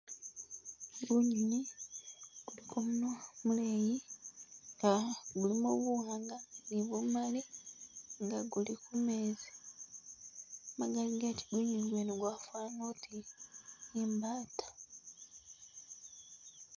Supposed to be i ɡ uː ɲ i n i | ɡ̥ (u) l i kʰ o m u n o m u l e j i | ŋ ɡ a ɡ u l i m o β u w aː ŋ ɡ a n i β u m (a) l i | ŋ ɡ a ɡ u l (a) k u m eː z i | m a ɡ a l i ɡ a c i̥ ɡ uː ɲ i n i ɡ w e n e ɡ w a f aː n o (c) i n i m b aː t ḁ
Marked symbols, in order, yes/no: yes, yes, no, no

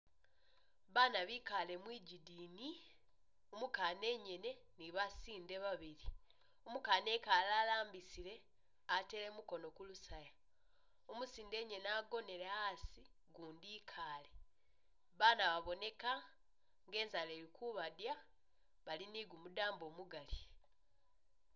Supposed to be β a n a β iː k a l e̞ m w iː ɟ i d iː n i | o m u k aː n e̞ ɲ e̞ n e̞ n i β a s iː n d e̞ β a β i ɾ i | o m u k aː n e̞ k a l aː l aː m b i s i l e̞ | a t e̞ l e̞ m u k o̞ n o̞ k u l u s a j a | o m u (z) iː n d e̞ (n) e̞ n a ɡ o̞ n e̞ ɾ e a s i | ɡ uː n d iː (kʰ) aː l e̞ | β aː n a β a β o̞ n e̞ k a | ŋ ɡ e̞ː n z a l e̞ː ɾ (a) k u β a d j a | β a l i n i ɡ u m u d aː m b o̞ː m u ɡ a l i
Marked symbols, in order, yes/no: no, no, yes, no

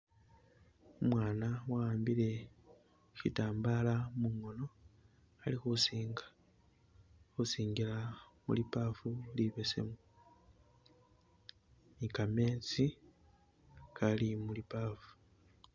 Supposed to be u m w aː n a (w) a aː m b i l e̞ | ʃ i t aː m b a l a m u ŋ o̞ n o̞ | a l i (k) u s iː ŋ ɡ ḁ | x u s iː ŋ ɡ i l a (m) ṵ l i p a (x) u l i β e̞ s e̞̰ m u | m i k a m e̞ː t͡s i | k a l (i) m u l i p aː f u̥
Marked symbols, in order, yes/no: yes, no, yes, no, yes

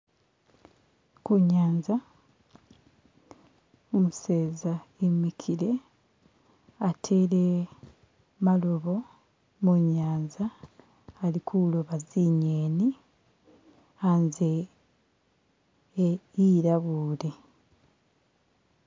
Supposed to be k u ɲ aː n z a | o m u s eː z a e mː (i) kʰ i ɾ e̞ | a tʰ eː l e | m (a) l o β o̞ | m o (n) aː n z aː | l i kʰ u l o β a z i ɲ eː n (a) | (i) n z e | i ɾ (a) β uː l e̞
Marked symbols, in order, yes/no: yes, yes, no, no, no, yes

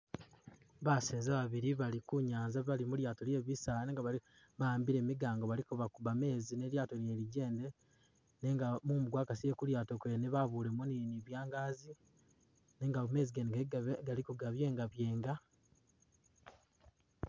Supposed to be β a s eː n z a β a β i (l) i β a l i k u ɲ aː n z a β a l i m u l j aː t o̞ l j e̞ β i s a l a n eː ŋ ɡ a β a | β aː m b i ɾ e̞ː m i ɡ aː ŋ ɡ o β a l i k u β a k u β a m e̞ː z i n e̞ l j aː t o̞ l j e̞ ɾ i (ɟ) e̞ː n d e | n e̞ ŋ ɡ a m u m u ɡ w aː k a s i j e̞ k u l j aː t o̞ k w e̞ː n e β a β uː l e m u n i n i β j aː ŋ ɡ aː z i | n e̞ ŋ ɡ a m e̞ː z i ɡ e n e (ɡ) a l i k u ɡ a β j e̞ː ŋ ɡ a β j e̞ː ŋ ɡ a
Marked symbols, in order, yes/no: no, yes, yes

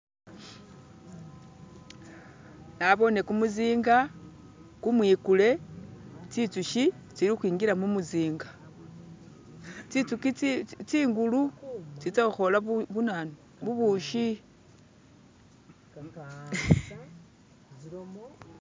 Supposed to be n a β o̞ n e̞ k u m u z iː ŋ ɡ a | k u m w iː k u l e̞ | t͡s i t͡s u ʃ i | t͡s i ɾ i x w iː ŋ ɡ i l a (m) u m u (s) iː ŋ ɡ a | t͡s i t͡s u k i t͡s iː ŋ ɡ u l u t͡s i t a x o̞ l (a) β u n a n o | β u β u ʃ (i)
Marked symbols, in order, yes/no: yes, no, yes, yes

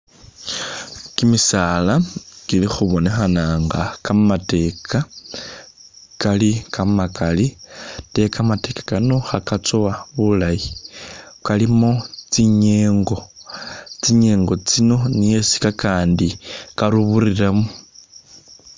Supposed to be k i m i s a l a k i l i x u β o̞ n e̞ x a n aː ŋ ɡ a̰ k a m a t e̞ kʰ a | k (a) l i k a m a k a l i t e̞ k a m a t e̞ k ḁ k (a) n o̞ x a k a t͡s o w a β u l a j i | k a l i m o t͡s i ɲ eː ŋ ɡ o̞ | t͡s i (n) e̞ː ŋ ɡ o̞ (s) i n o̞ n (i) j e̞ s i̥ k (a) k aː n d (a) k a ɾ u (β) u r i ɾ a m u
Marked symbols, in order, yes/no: yes, yes, no, no, yes, yes, no, yes

